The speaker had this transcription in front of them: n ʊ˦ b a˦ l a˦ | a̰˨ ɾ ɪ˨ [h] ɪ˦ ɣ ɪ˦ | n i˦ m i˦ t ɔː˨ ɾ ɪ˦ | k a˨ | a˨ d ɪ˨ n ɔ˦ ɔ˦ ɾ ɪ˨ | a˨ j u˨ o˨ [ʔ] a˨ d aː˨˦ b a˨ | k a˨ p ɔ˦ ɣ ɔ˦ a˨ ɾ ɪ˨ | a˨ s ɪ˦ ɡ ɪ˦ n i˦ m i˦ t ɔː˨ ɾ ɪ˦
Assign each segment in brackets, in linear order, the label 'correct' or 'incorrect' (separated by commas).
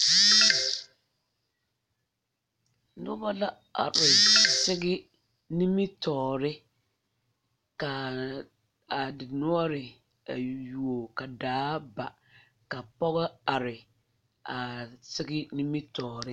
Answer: incorrect, incorrect